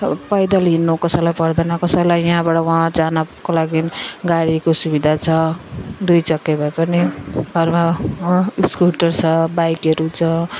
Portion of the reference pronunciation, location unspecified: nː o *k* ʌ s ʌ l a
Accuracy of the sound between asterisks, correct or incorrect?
correct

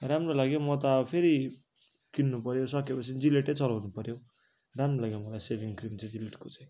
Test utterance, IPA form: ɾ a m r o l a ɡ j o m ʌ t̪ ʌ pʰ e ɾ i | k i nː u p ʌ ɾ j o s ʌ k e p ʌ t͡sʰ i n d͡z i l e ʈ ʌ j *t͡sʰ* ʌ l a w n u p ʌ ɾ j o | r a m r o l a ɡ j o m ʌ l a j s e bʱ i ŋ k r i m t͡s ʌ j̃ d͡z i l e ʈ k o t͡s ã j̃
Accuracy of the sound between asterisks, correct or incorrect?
incorrect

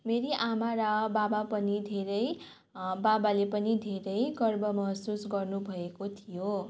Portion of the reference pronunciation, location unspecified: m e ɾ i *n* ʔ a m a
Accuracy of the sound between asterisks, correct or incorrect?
incorrect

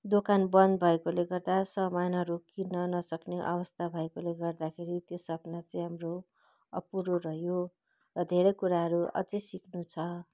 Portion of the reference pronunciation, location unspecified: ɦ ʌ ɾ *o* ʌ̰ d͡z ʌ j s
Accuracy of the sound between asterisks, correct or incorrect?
incorrect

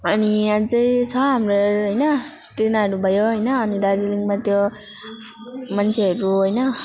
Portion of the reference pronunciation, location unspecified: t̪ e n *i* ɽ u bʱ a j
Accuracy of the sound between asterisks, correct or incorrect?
incorrect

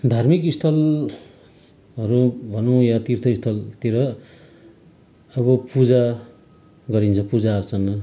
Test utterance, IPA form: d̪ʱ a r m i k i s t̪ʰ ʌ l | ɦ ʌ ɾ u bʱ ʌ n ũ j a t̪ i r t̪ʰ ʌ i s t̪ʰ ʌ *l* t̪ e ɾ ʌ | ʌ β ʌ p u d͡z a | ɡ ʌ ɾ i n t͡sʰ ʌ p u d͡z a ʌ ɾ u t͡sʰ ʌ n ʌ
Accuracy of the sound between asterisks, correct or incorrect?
correct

